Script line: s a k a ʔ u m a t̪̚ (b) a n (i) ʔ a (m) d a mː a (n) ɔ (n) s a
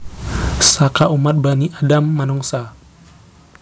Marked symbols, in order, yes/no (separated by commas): yes, yes, no, yes, no